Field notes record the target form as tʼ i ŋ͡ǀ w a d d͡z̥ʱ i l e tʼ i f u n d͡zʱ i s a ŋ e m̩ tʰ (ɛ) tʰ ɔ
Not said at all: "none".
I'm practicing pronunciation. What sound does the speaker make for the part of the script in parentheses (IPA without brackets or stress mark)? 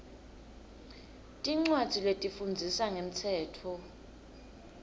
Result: ɛː